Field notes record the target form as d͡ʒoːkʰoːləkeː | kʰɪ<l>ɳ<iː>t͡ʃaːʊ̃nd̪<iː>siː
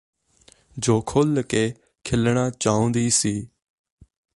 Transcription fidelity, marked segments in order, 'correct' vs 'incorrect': correct, incorrect, correct

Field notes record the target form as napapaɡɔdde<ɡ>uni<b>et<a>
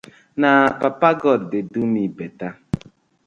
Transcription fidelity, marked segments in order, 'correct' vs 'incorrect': incorrect, correct, correct

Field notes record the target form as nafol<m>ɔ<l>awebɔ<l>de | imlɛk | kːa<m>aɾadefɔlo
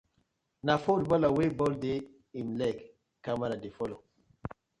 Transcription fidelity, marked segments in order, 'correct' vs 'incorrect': incorrect, correct, correct, correct

